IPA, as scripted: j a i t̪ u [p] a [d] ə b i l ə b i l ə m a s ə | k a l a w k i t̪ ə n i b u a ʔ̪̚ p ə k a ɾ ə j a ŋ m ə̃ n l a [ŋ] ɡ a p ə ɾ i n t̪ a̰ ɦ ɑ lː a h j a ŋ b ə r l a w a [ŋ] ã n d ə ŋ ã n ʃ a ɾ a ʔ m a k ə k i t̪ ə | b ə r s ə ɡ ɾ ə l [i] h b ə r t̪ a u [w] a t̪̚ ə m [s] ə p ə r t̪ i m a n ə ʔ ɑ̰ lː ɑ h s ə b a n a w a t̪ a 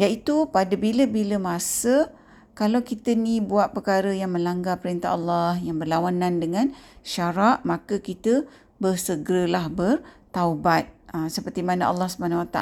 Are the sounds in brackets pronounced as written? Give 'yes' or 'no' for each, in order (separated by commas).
yes, yes, yes, no, no, no, yes